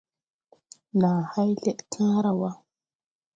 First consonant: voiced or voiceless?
voiced